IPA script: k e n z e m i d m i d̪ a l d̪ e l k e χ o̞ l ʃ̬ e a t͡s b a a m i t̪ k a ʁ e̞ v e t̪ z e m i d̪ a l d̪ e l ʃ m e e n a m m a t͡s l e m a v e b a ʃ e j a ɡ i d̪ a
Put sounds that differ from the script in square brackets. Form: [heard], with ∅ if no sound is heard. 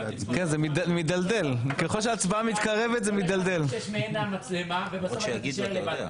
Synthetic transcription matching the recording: k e n z e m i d m i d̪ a l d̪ e l k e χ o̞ l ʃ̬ e a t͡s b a a m i t̪ k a ʁ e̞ v e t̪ z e m i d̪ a l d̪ e l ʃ m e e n a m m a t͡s l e m a v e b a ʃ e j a ɡ i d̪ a